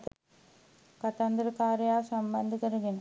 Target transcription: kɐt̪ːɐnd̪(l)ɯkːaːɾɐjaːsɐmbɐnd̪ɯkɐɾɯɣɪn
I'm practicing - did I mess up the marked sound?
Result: yes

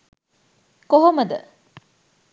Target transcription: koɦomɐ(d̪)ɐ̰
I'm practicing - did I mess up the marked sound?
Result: no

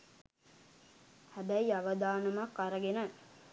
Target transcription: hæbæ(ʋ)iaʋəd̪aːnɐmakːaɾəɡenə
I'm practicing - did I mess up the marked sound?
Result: yes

